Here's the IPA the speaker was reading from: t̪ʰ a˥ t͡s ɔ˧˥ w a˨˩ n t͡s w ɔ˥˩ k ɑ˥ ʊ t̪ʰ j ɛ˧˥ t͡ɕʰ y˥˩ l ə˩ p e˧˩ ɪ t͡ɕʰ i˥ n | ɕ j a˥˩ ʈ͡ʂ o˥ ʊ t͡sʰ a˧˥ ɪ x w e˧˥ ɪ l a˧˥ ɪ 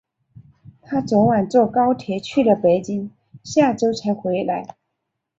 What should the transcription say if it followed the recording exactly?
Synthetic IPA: t̪ʰ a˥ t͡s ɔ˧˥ w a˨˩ n t͡s w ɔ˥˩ k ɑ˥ ʊ t̪ʰ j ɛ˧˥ t͡ɕʰ y˥˩ l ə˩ p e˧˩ ɪ t͡ɕ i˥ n | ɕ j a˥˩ ʈ͡ʂ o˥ ʊ t͡sʰ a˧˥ ɪ x w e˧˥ ɪ l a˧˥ ɪ